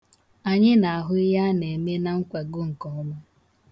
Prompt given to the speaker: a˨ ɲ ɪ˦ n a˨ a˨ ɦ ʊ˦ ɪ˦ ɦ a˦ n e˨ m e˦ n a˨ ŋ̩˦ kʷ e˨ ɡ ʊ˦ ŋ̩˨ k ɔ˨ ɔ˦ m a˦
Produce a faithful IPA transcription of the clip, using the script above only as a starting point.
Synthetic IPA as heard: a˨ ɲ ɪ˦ n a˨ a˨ ɦ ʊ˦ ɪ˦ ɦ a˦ n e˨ m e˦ n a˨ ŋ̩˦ kʷ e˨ ɡ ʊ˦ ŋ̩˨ k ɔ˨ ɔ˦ m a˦